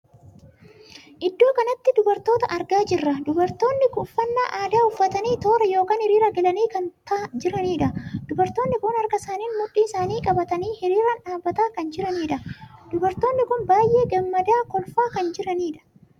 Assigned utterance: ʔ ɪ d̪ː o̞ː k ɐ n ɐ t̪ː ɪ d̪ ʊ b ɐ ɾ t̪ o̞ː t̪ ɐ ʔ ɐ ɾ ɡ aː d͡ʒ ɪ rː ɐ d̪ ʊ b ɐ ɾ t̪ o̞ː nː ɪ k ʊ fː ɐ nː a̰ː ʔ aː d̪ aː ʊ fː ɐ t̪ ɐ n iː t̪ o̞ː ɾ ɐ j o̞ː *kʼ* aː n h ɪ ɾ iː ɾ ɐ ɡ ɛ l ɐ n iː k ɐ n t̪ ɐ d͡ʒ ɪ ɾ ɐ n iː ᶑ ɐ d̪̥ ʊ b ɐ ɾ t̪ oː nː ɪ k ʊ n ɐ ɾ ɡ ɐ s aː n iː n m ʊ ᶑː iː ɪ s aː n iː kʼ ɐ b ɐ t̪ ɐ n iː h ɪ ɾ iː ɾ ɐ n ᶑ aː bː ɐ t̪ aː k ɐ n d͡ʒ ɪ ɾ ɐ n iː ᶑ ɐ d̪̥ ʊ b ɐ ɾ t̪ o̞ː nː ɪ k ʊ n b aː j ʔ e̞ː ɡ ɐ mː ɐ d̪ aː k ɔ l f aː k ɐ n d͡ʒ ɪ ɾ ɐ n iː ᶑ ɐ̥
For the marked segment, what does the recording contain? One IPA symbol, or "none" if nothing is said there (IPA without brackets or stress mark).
k